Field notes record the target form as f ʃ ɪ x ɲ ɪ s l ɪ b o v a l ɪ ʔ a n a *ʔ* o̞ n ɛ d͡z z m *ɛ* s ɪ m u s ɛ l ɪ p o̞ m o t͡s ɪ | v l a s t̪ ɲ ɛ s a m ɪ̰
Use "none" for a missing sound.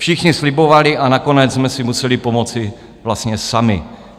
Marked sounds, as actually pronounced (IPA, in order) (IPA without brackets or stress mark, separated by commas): k, ɛ